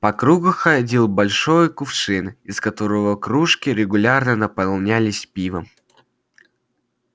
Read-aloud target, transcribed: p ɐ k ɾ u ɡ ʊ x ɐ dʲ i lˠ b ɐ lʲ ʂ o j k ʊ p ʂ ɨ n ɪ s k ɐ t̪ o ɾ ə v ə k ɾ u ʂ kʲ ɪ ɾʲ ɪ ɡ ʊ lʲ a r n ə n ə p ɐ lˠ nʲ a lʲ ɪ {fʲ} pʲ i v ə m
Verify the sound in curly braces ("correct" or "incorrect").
incorrect